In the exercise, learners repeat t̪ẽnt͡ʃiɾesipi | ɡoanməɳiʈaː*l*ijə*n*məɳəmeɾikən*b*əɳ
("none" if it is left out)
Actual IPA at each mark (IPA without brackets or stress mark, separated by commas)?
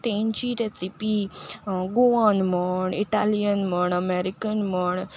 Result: l, n, m